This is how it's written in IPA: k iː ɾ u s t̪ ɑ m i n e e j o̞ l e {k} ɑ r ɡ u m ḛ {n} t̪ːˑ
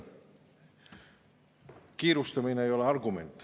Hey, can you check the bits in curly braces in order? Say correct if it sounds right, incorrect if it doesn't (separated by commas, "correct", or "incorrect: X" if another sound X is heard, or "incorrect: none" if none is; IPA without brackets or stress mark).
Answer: incorrect: none, correct